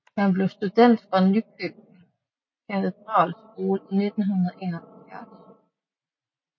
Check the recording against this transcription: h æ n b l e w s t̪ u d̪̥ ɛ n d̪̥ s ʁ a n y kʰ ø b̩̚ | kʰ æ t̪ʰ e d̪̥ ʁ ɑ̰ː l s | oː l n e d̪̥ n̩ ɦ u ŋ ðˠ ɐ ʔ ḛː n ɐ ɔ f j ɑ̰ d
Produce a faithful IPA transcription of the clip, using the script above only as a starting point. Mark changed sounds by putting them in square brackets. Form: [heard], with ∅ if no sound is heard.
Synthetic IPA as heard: h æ n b l e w s t̪ u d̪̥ ɛ n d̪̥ [f] ʁ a n y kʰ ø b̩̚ | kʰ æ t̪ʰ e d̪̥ ʁ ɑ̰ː l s | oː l n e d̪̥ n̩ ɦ u [n] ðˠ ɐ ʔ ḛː n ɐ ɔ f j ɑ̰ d